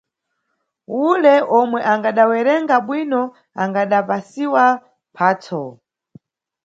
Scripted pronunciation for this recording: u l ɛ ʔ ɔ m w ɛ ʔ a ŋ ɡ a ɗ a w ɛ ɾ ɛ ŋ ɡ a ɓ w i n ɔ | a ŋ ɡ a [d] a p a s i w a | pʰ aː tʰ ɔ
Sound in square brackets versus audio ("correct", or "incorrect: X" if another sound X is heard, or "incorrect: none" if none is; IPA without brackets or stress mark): incorrect: ɗ